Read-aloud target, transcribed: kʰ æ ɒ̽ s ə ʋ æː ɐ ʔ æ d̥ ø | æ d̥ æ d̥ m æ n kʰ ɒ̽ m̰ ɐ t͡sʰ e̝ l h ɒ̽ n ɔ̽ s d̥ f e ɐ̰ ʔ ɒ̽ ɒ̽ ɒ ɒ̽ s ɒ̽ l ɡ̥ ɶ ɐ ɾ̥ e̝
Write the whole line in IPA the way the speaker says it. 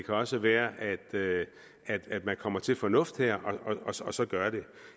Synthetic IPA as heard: kʰ æ ɒ̽ s ə ʋ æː ɐ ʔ æ d̥ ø | æ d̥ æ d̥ m æ n kʰ ɒ̽ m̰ ɐ t͡sʰ e̝ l f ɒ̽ n ɔ̽ f d̥ h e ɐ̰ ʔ ɒ̽ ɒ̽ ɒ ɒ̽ s ɒ̽ ɡ̥ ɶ ɐ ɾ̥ e̝